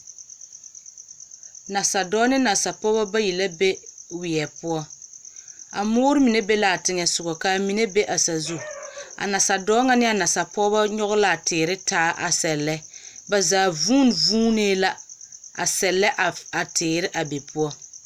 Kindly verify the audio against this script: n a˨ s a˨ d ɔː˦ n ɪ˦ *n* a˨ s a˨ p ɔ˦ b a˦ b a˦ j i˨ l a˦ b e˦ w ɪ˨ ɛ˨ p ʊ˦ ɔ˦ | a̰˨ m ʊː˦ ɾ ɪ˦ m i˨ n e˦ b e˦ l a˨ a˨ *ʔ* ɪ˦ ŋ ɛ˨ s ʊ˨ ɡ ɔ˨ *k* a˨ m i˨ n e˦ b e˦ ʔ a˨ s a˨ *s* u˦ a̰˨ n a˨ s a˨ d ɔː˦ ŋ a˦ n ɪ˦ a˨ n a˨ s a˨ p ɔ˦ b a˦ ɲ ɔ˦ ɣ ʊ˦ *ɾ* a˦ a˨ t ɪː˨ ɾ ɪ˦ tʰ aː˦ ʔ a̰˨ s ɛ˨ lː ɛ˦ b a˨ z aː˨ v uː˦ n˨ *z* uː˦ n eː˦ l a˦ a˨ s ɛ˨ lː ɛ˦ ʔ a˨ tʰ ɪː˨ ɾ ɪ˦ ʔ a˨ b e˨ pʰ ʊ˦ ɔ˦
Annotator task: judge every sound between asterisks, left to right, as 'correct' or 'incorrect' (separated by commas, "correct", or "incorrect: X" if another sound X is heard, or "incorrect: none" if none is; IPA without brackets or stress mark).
correct, incorrect: t, correct, incorrect: z, incorrect: l, incorrect: v